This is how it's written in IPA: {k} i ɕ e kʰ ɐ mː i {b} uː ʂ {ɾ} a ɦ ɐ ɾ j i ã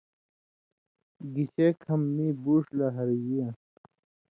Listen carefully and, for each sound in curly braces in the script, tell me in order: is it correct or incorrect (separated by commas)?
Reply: incorrect, correct, incorrect